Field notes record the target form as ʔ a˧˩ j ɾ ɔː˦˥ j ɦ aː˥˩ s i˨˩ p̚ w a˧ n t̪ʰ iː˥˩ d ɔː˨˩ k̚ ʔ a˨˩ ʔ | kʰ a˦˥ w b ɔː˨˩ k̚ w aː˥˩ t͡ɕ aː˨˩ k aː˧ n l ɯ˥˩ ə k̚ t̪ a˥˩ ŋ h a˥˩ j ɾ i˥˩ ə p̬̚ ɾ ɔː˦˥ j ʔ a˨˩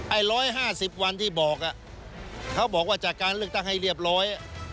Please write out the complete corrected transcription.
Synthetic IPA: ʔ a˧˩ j ɾ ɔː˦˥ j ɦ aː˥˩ s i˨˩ p̚ w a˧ n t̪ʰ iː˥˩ b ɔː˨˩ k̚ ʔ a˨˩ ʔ | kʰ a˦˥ w b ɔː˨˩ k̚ w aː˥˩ t͡ɕ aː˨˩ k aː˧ n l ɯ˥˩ ə k̚ t̪ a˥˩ ŋ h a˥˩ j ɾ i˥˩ ə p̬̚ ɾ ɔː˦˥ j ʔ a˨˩